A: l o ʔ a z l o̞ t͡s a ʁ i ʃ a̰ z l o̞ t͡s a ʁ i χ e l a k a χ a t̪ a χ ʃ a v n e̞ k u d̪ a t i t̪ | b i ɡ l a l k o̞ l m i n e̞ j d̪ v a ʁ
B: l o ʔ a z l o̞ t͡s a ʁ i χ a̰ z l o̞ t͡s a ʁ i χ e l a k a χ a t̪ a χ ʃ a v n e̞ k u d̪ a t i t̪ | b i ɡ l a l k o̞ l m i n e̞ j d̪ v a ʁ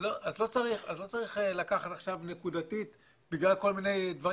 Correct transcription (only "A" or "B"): B